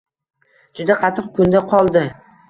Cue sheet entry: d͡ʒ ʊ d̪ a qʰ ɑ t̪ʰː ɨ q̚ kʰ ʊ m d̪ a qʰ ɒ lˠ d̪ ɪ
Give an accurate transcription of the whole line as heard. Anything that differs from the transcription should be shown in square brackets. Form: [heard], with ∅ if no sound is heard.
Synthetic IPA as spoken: d͡ʒ ʊ d̪ a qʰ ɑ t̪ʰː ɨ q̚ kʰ ʊ [n] d̪ a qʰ ɒ lˠ d̪ ɪ